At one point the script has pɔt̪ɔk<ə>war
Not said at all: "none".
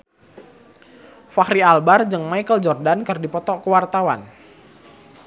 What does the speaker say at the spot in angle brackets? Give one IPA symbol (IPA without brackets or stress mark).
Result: ə